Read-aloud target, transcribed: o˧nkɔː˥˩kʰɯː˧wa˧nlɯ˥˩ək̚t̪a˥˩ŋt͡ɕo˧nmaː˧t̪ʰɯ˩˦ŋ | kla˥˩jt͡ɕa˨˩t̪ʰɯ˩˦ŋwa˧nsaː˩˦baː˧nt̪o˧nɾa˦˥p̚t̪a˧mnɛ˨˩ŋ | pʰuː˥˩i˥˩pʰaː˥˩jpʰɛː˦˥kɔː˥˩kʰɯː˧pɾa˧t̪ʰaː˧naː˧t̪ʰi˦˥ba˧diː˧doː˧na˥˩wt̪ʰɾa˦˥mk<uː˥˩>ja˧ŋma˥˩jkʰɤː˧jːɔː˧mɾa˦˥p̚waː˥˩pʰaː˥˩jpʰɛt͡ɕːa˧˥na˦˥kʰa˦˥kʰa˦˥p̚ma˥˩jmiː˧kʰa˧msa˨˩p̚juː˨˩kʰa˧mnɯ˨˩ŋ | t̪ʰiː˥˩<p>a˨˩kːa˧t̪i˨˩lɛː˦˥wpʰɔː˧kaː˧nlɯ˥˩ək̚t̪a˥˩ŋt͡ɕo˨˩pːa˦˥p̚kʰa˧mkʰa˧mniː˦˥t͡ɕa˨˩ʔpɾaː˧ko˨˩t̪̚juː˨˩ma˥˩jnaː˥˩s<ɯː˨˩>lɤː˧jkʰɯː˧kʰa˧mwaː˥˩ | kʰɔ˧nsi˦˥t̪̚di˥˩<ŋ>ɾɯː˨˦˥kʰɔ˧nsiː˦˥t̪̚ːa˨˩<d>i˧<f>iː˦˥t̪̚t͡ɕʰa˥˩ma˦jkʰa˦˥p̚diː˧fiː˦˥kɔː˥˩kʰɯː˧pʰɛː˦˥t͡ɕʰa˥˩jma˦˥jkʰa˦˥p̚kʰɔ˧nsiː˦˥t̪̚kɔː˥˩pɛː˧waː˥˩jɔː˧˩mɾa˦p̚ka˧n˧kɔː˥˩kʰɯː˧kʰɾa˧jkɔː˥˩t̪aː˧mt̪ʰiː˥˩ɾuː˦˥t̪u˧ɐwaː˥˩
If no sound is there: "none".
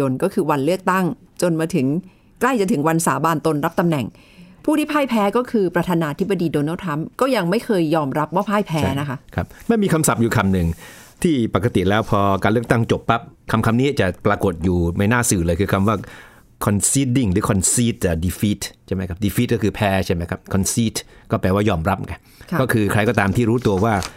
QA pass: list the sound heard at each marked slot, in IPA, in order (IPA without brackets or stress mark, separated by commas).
ɔː˥˩, p, ɯː˨˩, ŋ, d, f